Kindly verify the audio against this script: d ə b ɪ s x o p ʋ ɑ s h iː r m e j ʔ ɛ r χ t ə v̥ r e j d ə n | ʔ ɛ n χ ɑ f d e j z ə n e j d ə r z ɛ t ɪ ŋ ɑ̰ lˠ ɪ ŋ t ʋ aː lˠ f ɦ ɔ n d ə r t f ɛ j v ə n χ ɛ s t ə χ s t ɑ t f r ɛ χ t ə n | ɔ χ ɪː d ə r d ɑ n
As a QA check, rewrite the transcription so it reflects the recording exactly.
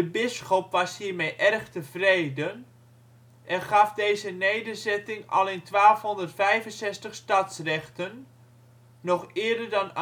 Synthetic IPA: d ə b ɪ s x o p ʋ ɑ s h iː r m e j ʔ ɛ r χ t ə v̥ r e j d ə n | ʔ ɛ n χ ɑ f d e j z ə n e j d ə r z ɛ t ɪ ŋ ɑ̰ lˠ ɪ n t ʋ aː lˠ f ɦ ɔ n d ə r t f ɛ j v ə n s ɛ s t ə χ s t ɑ t s r ɛ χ t ə nː | ɔ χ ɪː d ə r d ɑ n